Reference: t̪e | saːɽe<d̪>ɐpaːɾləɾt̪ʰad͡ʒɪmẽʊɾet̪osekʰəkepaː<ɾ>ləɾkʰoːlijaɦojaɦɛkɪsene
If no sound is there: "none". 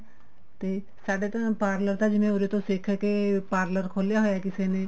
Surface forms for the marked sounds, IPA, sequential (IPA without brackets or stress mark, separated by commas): t̪, ɾ